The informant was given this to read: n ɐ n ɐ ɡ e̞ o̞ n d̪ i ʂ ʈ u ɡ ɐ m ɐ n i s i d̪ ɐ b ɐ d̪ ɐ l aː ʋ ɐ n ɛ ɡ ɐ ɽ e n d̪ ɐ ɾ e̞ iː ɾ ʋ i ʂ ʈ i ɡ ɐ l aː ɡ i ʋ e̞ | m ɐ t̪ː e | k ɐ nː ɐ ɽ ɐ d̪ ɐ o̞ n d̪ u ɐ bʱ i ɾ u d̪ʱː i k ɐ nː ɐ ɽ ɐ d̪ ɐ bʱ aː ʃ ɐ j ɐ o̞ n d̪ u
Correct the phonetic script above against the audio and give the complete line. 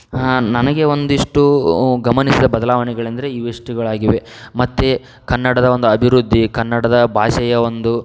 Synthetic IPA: n ɐ n ɐ ɡ e̞ o̞ n d̪ i ʂ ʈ u ɡ ɐ m ɐ n i s i d̪ ɐ b ɐ d̪ ɐ l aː ʋ ɐ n ɛ ɡ ɐ ɭ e n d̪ ɐ ɾ e̞ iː ʋ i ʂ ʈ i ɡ ɐ ɭ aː ɡ i ʋ e̞ | m ɐ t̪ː e | k ɐ nː ɐ ɽ ɐ d̪ ɐ o̞ n d̪ u ɐ bʱ i ɾ u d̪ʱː i k ɐ nː ɐ ɽ ɐ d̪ ɐ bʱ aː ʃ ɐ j ɐ o̞ n d̪ u